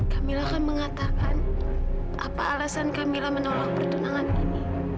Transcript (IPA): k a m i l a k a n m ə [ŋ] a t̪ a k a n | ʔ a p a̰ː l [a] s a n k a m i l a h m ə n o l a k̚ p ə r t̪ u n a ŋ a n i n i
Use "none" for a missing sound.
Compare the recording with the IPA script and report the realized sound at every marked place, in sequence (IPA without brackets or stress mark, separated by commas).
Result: ŋ, a